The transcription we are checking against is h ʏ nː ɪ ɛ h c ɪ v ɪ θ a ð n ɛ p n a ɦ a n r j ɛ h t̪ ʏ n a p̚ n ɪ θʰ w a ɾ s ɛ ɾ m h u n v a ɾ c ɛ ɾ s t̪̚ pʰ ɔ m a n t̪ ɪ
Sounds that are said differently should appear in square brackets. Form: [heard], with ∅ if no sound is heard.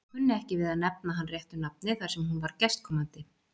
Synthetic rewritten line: h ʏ nː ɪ ɛ h c ɪ v ɪ [ð] a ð n ɛ p n a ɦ a n r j ɛ h t̪ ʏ n a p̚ n ɪ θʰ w a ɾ s ɛ [∅] m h u n v a ɾ c ɛ [∅] s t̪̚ [kʰ] ɔ m a n t̪ ɪ